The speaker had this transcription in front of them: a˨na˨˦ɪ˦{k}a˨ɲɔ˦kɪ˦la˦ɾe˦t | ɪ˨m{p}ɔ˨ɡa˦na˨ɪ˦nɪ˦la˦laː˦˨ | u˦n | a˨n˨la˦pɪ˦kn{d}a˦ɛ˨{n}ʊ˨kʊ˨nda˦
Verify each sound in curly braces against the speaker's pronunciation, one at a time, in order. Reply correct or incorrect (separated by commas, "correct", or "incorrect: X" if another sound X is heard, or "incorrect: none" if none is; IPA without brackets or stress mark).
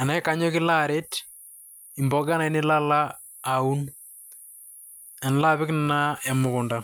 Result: correct, incorrect: b, incorrect: n, incorrect: m